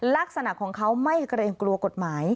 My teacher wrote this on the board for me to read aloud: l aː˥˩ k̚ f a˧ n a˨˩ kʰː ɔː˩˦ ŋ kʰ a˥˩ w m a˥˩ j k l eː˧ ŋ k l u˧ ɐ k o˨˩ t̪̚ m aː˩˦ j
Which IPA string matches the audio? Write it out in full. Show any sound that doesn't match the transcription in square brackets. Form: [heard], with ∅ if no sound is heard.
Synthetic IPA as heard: l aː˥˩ k̚ [s] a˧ n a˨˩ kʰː ɔː˩˦ ŋ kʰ [a˦˥] w m a˥˩ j k [ɾ] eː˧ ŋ k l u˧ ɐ k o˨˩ t̪̚ m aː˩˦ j